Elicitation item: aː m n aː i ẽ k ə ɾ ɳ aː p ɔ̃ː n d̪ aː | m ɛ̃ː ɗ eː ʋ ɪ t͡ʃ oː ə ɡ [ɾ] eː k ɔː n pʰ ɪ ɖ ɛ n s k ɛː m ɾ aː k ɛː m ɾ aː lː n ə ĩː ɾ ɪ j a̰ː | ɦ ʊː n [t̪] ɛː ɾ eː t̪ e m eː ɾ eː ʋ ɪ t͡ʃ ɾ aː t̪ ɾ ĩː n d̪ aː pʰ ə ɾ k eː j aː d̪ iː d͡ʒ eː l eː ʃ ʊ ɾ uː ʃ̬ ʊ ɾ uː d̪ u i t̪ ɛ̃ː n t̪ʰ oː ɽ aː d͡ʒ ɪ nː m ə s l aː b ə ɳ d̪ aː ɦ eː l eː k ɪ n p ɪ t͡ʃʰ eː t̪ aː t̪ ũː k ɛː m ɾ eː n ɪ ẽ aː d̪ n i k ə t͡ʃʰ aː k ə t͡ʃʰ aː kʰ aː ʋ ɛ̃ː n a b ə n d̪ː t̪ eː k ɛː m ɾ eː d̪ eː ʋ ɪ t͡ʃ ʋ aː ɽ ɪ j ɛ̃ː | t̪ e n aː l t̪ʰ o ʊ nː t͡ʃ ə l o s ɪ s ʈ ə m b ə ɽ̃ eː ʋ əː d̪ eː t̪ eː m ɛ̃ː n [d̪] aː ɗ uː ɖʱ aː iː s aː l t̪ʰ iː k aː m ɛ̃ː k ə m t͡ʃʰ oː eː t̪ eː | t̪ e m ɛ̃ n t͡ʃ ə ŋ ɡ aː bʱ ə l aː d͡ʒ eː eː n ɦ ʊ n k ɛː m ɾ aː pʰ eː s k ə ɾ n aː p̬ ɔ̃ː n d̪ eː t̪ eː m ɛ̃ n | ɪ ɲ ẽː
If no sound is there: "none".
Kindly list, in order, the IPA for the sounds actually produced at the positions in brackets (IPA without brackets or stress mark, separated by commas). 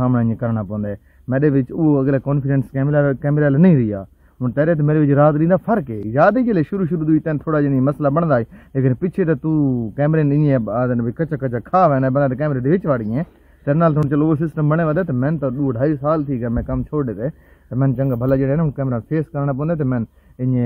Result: l, t̪, t̪